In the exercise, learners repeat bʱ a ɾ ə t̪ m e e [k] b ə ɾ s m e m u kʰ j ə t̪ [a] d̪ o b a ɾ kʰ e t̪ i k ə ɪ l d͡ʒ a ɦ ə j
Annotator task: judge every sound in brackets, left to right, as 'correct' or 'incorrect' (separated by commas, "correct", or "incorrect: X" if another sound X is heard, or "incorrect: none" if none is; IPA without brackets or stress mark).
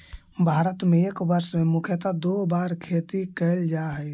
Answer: correct, correct